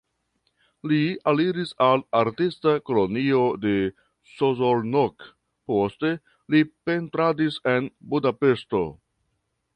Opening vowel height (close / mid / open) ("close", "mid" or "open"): close